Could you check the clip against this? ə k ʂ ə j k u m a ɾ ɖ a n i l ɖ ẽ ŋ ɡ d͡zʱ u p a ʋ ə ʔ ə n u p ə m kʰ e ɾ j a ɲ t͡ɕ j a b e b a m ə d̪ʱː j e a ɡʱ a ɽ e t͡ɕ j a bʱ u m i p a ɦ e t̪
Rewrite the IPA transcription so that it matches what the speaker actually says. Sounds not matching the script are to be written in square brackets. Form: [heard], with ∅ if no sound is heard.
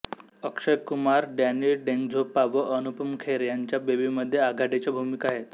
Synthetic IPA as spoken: ə k ʂ ə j k u m a ɾ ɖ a n i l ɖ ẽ ŋ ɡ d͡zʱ [o] p a ʋ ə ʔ ə n u p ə m kʰ e ɾ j a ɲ t͡ɕ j a b e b [i] m ə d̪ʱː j e a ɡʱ a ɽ e t͡ɕ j a bʱ u m i [k] a ɦ e t̪